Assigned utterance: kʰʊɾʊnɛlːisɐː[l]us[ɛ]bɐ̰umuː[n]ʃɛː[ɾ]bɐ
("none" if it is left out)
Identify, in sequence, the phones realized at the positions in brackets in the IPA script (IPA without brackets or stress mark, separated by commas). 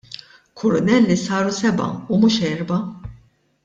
ɾ, ɛ, none, ɾ